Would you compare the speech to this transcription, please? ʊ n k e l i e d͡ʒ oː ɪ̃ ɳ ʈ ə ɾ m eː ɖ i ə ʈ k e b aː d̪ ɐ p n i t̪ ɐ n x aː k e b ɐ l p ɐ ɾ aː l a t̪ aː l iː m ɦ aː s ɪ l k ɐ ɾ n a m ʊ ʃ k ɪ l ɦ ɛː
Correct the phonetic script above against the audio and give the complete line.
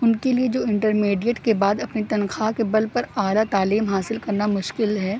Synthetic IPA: ʊ n k e l i e d͡ʒ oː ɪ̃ ɳ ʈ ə ɾ m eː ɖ i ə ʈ k e b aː d̪ ɐ p n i t̪ ɐ n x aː k e b ɐ l p ɐ ɾ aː l a t̪ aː l iː m ɦ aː s ɪ l k ɐ ɾ n a m ʊ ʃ k ɪ l ɦ ɛː